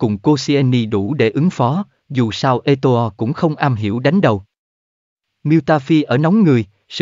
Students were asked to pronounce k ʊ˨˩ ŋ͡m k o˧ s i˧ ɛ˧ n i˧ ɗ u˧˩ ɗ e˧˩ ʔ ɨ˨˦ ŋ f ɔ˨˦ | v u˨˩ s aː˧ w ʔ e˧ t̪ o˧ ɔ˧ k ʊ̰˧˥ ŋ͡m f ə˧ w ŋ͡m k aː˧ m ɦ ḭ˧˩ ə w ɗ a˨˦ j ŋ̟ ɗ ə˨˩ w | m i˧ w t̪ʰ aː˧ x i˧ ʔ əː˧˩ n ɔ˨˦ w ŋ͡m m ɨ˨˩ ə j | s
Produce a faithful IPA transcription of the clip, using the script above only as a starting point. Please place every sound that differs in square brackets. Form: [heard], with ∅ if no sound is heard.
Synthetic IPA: k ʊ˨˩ ŋ͡m k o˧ s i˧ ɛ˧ n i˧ ɗ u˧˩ ɗ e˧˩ ʔ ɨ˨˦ ŋ f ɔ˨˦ | [z] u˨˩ s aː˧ w ʔ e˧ t̪ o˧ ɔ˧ k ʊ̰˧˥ ŋ͡m [x] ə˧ w ŋ͡m [ʔ] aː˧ m ɦ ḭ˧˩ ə w ɗ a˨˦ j ŋ̟ ɗ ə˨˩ w | m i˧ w [t̪] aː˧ [f] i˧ ʔ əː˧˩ n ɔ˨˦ w ŋ͡m [ŋ] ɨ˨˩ ə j | s